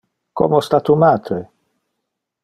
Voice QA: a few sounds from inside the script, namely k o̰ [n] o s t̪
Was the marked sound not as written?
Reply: yes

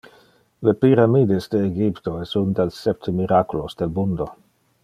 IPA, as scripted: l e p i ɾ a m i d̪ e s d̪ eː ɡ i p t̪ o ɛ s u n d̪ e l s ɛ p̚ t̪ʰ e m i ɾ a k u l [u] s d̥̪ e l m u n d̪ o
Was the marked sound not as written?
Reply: yes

